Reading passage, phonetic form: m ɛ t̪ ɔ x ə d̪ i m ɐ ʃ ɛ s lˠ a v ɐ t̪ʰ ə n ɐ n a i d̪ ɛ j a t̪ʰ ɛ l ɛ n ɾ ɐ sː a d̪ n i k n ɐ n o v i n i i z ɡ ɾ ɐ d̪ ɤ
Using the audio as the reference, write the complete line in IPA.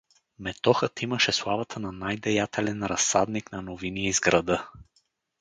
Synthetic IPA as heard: m ɛ t̪ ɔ x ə t̪ i m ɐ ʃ ɛ s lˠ a v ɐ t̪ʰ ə n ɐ n a j d̪ ɛ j a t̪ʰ ɛ l ɛ n ɾ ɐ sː a d̪ n i k n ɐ n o v i n i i z ɡ ɾ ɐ d̪ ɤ